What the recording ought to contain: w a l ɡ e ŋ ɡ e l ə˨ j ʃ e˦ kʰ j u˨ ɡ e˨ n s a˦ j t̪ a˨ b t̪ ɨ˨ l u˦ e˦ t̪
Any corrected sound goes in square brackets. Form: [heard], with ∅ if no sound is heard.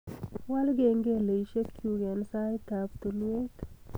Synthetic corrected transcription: w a l ɡ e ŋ ɡ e l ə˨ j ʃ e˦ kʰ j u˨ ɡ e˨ n s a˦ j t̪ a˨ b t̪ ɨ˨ l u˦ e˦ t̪